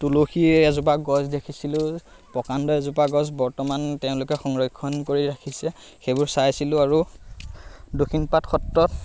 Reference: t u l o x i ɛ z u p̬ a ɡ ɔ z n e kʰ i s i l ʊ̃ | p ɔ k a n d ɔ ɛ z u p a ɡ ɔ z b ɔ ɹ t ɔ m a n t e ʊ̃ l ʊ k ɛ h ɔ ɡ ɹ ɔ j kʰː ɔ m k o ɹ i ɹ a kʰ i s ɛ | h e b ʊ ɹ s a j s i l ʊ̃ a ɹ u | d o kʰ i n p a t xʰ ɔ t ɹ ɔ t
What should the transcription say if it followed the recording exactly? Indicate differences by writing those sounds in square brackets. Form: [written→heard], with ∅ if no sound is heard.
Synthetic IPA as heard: t u l o x i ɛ z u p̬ a ɡ ɔ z [n→d] e kʰ i s i l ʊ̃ | p ɔ k a n d ɔ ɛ z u p a ɡ ɔ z b ɔ ɹ t ɔ m a n t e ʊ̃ l ʊ k ɛ [h→x] ɔ [ɡ→ŋ] ɹ ɔ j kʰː ɔ [m→n] k o ɹ i ɹ a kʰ i s ɛ | [h→x] e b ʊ ɹ s a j s i l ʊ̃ a ɹ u | d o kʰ i n p a t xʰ ɔ t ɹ ɔ t